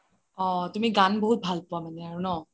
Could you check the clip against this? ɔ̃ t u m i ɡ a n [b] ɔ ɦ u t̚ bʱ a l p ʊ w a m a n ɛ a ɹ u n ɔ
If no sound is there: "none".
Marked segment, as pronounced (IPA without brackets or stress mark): b